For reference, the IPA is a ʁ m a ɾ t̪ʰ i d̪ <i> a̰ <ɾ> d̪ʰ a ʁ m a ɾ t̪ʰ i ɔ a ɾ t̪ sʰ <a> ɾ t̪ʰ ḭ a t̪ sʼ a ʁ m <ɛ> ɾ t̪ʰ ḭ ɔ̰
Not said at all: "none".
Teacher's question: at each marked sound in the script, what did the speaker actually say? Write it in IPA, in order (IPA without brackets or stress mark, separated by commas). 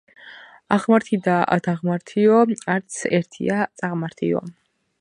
a, none, ɛ, a